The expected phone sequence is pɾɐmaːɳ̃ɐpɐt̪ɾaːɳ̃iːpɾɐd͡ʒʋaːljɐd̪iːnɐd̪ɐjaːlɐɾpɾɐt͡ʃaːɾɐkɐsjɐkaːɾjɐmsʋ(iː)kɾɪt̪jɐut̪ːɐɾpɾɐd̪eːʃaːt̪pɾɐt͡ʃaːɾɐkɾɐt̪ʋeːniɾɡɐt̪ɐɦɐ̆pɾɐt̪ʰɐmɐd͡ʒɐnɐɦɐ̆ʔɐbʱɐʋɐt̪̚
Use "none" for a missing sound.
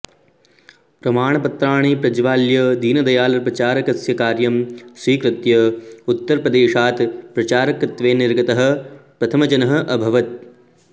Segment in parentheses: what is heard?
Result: iː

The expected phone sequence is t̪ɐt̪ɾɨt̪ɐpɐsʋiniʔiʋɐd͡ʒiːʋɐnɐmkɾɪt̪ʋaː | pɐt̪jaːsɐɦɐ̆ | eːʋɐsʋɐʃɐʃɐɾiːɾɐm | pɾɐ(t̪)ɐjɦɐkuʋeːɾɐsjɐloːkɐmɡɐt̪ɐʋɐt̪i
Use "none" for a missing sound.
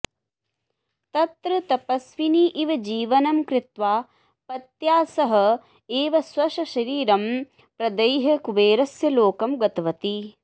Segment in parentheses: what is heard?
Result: d̪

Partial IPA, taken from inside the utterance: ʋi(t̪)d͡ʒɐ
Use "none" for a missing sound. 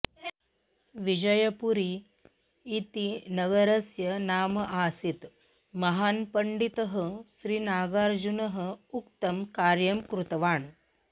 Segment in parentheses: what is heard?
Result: none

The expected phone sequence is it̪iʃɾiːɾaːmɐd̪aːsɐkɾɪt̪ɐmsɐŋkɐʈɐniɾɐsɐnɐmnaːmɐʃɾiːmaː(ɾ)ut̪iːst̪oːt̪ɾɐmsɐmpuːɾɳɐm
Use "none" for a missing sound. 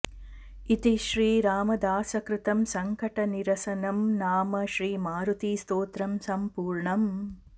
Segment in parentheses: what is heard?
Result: ɾ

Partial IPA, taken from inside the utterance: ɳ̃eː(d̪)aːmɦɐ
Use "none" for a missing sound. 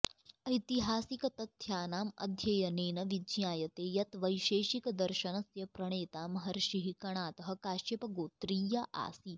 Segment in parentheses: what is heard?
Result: t̪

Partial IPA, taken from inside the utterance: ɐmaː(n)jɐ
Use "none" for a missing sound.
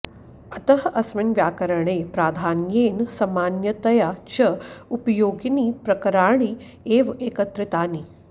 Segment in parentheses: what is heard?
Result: n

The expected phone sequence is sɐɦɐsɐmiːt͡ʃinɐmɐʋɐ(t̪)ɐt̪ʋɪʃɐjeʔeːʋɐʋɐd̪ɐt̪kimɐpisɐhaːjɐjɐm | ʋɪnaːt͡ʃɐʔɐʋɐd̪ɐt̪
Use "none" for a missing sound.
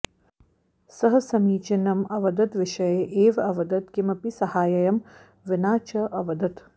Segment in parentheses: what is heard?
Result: d̪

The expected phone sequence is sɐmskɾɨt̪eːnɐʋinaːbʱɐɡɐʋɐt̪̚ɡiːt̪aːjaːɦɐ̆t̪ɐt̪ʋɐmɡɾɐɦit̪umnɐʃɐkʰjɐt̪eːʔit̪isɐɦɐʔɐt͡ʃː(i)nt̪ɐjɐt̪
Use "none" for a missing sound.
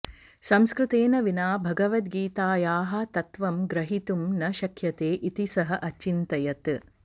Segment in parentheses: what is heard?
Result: i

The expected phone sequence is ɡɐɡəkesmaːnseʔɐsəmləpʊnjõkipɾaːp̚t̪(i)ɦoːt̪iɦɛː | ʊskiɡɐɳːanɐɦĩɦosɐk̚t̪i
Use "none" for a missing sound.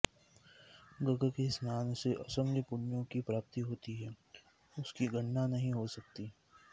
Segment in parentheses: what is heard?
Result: i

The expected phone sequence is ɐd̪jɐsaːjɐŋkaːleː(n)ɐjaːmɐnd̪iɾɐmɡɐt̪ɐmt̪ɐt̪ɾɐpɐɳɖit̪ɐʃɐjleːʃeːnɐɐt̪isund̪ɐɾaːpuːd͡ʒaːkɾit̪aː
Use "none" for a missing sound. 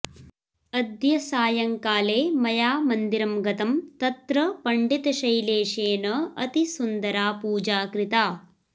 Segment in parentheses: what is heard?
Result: m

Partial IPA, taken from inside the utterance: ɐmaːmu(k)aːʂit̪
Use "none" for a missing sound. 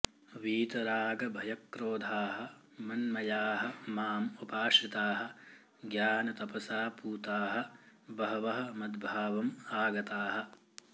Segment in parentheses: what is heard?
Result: p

